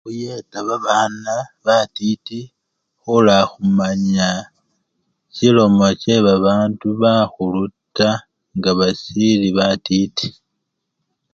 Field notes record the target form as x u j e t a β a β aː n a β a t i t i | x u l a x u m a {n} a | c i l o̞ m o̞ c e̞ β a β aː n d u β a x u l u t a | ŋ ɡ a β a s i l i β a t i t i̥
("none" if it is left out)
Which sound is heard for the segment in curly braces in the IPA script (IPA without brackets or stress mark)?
ɲ